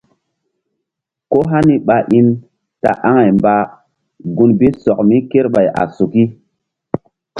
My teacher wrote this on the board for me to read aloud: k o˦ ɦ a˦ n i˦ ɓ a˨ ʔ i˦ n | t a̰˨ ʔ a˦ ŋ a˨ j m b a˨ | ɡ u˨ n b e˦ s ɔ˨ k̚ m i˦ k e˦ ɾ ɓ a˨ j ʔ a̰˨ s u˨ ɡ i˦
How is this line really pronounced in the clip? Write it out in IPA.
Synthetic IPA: k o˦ ɦ a˦ n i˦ ɓ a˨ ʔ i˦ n | t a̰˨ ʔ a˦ ŋ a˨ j m b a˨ | ɡ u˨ n b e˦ s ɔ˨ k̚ m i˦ k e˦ ɾ ɓ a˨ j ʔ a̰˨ s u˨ k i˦